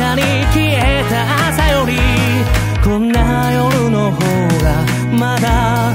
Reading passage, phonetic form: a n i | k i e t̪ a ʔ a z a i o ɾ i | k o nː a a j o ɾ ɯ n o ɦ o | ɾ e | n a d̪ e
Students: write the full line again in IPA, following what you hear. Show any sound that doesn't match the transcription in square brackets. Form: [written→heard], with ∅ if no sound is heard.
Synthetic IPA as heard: a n i | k i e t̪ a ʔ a [z→s] a [i→j] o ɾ i | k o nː a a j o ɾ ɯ n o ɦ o | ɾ [e→a] | [n→m] a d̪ [e→a]